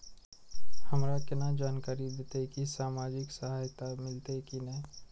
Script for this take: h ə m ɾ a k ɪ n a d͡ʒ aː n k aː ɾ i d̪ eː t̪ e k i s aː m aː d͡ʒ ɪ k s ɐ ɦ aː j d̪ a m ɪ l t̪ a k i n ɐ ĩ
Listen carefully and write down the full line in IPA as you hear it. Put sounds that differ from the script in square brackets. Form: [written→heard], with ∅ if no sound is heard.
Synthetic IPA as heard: h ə m ɾ a k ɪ n a d͡ʒ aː n k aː ɾ i d̪ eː t̪ e k i s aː m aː d͡ʒ ɪ k s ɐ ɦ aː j [d̪→t̪] a m ɪ l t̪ [a→e] k i n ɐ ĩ